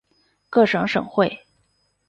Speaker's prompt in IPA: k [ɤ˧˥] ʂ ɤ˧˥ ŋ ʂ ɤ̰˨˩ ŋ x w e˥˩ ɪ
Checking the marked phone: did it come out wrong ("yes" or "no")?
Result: yes